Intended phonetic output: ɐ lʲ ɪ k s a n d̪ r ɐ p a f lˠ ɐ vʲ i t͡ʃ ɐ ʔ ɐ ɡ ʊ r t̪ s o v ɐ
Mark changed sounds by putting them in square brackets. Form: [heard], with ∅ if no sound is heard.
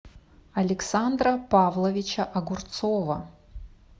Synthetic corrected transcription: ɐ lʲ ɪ k s a n d̪ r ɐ p a [v] lˠ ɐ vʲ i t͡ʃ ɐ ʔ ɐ ɡ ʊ r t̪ s o v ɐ